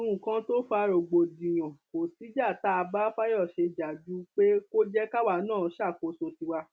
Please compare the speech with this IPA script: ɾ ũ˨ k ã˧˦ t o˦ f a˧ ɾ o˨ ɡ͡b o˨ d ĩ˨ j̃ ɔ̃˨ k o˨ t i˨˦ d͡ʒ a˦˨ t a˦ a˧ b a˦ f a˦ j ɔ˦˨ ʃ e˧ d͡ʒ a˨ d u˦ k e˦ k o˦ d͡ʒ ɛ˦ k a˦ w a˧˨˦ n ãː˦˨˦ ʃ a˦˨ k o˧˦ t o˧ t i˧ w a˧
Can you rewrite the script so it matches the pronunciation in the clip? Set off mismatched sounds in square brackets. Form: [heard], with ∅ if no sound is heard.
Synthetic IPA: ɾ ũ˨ k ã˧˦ t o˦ f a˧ ɾ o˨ ɡ͡b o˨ d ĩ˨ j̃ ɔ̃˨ k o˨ t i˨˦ d͡ʒ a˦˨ t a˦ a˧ b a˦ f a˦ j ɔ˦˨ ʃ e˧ d͡ʒ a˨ [d͡ʒ] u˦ [k͡p] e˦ k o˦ d͡ʒ ɛ˦ k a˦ w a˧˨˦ n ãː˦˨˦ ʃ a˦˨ k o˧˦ [s] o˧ t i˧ w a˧